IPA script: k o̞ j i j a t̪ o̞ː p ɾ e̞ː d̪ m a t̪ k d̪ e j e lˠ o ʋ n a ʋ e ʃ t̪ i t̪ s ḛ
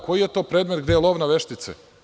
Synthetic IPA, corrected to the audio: k o̞ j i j e t̪ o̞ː p ɾ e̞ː d̪ m e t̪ ɡ d̪ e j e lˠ o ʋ n a ʋ e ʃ t̪ i t̪ s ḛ